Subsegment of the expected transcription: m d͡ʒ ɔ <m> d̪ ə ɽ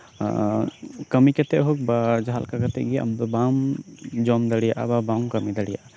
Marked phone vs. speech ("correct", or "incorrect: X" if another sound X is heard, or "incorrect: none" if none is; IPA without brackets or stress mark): correct